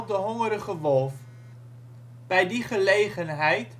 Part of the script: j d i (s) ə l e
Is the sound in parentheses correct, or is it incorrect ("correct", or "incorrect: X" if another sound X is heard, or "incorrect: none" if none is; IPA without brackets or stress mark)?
incorrect: χ